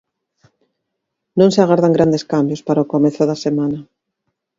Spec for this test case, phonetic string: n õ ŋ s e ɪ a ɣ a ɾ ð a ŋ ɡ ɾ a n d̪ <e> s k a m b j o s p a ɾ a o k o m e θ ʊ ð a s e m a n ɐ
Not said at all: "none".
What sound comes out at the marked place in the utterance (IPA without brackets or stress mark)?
e